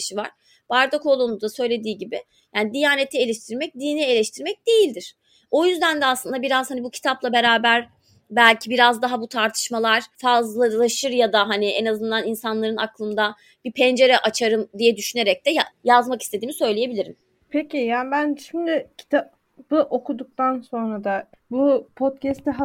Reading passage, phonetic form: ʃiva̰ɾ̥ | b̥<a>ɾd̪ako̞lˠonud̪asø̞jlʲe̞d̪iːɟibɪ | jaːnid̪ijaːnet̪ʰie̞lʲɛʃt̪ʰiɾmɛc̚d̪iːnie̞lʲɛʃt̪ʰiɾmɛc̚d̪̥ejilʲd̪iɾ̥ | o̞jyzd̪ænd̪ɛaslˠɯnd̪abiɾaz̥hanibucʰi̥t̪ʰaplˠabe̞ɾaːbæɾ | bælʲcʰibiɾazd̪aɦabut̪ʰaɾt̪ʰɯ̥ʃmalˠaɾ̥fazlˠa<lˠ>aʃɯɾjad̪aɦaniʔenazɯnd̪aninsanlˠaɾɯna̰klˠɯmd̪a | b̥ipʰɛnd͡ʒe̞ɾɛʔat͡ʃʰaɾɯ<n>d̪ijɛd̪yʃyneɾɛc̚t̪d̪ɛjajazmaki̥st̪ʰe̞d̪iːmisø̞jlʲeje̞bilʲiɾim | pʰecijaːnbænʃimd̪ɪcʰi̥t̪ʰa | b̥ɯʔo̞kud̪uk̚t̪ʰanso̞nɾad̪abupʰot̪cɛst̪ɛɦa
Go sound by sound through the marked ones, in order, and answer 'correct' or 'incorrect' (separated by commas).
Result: correct, correct, incorrect